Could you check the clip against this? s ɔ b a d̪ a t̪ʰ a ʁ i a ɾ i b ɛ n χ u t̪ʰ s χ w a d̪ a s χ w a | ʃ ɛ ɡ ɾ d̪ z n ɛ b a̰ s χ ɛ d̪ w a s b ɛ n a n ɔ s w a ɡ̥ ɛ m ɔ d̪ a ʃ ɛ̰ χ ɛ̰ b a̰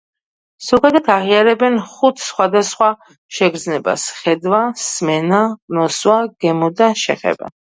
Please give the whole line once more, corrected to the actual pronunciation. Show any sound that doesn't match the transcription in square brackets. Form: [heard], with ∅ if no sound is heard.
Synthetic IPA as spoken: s ɔ [ɡ] a d̪ a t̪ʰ a ʁ i a ɾ [ɛ] b ɛ n χ u t̪ʰ s χ w a d̪ a s χ w a | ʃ ɛ ɡ ɾ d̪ z n ɛ b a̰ s χ ɛ d̪ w a s [m] ɛ n a n ɔ s w a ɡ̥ ɛ m ɔ d̪ a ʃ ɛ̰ χ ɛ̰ b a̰